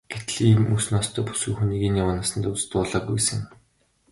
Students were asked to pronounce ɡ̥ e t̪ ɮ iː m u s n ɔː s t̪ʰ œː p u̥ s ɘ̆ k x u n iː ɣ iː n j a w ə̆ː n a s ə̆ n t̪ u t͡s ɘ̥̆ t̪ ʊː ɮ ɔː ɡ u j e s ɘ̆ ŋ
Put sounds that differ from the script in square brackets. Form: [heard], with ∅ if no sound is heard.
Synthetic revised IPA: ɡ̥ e t̪ ɮ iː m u s n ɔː s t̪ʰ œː p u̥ s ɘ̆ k x u n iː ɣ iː n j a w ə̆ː n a s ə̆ n t̪ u t͡s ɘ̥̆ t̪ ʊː ɮ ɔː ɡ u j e s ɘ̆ ŋ